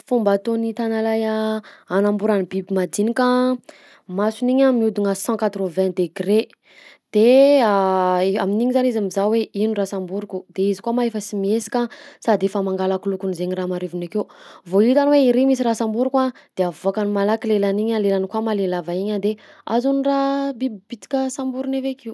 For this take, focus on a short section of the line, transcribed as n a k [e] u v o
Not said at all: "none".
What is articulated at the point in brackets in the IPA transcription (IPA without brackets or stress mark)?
e